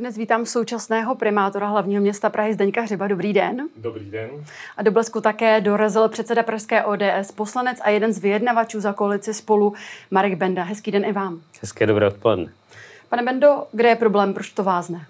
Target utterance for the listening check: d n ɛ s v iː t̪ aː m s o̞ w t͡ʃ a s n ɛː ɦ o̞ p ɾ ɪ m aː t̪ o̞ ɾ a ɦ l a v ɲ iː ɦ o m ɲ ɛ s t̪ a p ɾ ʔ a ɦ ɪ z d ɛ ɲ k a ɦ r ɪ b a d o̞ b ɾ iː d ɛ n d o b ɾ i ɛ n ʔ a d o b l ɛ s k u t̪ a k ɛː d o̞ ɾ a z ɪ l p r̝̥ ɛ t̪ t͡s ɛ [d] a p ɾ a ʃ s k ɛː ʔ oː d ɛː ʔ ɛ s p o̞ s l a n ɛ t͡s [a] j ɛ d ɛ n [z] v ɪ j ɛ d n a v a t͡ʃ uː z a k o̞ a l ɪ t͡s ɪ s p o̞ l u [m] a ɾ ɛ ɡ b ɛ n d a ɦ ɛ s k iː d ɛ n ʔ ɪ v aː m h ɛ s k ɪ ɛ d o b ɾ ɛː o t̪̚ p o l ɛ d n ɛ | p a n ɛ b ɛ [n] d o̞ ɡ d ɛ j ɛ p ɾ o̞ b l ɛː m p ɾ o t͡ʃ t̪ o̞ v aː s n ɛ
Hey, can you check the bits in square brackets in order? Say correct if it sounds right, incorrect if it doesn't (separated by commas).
correct, correct, correct, correct, correct